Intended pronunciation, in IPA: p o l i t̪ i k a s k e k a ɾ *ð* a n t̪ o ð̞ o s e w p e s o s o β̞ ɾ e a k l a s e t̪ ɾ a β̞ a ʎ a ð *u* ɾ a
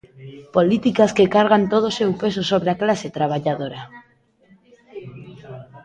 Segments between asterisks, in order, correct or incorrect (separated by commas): incorrect, incorrect